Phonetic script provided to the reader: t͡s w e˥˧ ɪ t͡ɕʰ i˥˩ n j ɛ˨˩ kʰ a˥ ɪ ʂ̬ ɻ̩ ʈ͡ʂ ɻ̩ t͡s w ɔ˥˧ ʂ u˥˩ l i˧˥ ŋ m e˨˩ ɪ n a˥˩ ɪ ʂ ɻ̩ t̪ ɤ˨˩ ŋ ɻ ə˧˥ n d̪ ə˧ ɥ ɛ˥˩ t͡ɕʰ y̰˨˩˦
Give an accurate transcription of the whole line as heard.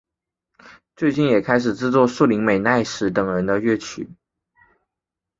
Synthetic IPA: t͡s w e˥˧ ɪ t͡ɕ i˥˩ n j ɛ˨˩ kʰ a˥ ɪ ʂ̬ ɻ̩ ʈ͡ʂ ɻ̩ t͡s w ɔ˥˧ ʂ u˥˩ l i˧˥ ŋ m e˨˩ ɪ n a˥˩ ɪ ʂ ɻ̩ t̪ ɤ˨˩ ŋ ɻ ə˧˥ n d̪ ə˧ ɥ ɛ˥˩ t͡ɕʰ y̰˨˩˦